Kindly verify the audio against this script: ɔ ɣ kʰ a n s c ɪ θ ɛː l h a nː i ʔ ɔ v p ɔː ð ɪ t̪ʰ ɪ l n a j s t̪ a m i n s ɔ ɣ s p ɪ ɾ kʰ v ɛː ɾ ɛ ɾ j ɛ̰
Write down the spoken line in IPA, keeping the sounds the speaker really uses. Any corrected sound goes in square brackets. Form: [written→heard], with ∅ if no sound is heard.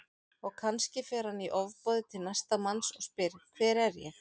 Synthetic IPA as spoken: ɔ ɣ kʰ a n s c ɪ [θ→f] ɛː [l→ɾ] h a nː i ʔ ɔ v p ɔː ð ɪ t̪ʰ ɪ l n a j s t̪ a m [i→a] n s ɔ ɣ s p ɪ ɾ kʰ v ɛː ɾ ɛ ɾ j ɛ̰